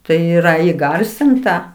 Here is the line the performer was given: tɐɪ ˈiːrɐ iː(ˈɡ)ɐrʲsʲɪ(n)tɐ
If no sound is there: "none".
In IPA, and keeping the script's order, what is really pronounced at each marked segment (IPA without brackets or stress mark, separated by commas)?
ɡ, n